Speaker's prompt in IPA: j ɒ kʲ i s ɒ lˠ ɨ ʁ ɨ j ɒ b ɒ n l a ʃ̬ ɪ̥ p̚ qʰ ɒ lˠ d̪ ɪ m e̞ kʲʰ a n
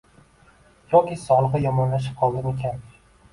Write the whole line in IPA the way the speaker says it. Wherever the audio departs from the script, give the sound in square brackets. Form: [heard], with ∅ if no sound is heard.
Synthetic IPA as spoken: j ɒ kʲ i s ɒ lˠ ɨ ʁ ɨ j ɒ [m] ɒ n l a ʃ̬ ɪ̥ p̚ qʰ ɒ lˠ d̪ ɪ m e̞ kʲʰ a n